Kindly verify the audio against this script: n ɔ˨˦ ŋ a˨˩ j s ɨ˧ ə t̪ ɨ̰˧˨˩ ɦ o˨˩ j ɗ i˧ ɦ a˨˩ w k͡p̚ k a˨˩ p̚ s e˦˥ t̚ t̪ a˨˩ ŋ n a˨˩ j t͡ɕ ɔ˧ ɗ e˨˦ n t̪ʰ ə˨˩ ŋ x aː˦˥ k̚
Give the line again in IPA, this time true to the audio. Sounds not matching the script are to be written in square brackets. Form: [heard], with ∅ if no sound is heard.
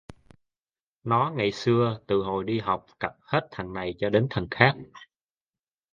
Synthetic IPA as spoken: n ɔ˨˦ ŋ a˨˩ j s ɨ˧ ə t̪ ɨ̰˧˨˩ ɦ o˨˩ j ɗ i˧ ɦ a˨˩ w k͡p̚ k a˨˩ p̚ [h] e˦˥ t̚ [t̪ʰ] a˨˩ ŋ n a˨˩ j t͡ɕ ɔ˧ ɗ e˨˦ n t̪ʰ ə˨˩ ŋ x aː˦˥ k̚